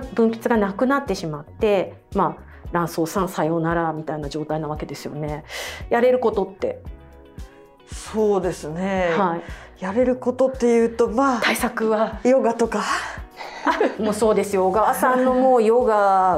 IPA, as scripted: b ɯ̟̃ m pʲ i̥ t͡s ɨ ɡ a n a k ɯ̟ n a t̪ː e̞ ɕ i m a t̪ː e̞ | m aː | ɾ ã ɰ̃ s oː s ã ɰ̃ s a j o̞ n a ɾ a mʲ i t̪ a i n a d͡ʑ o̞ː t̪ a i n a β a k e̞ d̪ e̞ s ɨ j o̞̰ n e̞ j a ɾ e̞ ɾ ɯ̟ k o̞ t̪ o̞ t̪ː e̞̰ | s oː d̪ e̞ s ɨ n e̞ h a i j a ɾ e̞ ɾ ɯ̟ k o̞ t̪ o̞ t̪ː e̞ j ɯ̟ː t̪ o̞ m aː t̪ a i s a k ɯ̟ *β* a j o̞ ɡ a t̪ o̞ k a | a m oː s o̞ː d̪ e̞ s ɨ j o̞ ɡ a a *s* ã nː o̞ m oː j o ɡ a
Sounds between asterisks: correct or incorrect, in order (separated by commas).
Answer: correct, correct